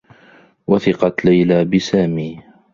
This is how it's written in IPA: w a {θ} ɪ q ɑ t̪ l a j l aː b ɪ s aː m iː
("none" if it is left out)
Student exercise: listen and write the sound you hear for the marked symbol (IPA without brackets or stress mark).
θ